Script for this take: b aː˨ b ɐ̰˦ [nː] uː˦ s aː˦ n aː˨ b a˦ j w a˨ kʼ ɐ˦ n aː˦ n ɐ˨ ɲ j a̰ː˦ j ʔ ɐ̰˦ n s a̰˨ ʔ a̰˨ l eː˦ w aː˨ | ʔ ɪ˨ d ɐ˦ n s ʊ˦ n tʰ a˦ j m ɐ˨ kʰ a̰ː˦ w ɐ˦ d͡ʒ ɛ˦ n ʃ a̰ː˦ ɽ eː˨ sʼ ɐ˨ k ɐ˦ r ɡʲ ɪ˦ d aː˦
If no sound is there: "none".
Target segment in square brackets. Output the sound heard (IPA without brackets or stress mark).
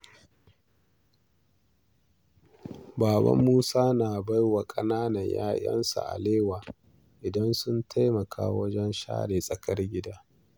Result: mː